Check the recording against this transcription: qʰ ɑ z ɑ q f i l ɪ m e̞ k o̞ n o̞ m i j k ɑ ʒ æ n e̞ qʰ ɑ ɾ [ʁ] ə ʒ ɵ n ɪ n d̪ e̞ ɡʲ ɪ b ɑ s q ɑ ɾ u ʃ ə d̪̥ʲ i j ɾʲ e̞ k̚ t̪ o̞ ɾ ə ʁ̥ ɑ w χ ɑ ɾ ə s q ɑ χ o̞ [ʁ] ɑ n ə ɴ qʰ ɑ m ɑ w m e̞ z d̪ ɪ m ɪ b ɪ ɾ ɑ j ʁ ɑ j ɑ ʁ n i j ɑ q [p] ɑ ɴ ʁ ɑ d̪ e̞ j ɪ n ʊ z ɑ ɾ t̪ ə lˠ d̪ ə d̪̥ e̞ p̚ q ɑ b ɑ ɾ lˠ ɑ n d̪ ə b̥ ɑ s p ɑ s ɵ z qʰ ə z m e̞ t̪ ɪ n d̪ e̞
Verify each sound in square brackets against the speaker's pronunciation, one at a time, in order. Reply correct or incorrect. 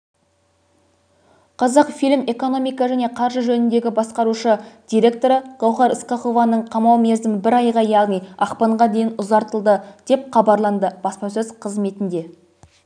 incorrect: ʒ, incorrect: v, correct

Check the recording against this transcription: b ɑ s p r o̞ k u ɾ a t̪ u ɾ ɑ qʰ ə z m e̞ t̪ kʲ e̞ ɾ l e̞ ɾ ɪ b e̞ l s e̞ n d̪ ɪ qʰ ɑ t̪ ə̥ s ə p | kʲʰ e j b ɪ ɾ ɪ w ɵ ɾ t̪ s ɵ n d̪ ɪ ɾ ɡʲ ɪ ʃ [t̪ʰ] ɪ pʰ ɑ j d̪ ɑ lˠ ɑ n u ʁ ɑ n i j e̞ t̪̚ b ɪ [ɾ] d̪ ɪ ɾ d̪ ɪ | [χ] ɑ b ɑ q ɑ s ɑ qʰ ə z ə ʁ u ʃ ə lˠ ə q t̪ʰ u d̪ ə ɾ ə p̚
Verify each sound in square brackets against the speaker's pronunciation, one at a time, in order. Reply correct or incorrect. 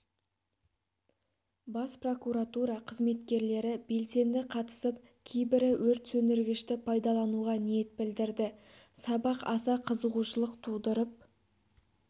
incorrect: t̪, incorrect: l, incorrect: s

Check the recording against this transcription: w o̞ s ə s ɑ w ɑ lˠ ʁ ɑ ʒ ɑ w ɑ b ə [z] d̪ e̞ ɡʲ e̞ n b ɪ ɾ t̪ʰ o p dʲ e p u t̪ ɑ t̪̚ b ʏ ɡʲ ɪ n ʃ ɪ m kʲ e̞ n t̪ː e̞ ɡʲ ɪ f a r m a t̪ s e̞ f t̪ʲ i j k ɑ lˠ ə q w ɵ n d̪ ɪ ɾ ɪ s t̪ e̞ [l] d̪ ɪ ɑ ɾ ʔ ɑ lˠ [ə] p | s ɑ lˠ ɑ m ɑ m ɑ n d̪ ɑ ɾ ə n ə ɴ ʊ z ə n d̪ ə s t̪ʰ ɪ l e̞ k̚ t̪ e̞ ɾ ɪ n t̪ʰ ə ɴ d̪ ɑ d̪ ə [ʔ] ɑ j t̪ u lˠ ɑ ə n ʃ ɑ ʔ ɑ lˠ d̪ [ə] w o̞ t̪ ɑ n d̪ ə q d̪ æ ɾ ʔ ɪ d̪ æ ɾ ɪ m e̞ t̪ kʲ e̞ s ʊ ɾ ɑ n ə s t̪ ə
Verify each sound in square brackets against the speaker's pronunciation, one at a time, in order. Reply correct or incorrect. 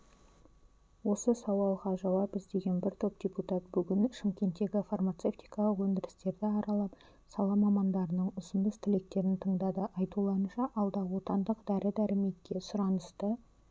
correct, incorrect: ɾ, incorrect: ɑ, correct, incorrect: ɑ

